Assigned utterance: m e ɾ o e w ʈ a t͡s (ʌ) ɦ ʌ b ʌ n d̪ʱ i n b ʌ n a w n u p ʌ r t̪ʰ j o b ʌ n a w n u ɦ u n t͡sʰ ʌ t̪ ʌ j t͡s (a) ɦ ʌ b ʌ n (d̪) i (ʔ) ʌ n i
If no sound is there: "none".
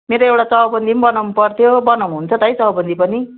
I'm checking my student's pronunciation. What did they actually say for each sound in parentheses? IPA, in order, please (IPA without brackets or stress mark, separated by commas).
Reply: ʌ, ʌ, d̪, p